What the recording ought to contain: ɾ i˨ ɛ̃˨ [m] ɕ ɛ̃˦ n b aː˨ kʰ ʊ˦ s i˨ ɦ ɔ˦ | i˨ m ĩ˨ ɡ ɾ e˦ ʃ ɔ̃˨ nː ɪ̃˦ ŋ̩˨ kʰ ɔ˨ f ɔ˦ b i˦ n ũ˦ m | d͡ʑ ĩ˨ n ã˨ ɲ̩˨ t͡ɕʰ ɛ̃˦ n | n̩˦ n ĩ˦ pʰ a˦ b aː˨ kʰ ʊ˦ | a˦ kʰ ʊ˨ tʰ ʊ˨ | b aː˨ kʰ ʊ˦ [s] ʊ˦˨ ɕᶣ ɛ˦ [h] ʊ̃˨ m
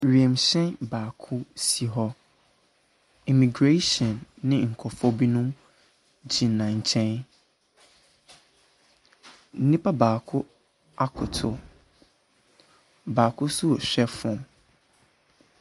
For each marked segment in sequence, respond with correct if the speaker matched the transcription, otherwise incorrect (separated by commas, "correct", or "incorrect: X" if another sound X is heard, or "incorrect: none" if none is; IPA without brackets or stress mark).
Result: correct, correct, incorrect: f